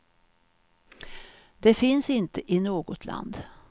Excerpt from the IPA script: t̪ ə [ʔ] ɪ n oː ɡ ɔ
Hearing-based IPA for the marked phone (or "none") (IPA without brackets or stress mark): ʔ